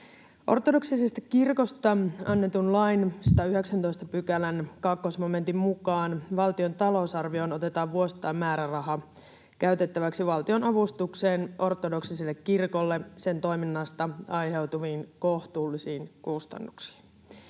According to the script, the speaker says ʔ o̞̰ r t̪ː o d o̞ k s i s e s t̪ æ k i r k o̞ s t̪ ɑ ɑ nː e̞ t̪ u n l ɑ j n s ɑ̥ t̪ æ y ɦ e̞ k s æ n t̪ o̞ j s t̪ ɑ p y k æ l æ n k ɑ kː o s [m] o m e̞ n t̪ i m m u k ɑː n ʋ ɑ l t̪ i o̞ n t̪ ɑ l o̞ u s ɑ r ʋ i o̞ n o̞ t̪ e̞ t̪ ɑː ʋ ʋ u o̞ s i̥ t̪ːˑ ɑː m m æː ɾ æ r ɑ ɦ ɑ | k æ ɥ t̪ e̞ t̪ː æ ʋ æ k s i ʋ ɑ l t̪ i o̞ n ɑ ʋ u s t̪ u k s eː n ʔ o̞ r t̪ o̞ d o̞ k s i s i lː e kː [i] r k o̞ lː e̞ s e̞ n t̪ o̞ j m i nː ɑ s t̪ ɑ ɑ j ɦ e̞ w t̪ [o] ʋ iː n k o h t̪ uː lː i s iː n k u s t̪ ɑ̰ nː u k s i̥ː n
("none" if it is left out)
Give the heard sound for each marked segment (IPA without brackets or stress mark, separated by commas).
m, i, u